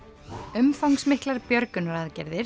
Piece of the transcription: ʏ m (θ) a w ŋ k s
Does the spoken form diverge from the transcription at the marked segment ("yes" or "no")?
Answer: yes